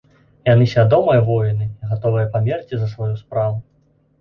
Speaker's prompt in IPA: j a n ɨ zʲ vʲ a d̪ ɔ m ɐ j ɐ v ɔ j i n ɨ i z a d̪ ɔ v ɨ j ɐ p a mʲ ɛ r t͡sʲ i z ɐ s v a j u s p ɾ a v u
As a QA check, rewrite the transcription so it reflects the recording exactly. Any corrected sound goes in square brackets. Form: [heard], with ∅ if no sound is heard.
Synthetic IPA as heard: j a n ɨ [sʲ] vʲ a d̪ ɔ m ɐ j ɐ v ɔ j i n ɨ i [ɣ] a [t̪] ɔ v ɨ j ɐ p a mʲ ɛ r t͡sʲ i z ɐ s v a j u s p ɾ a v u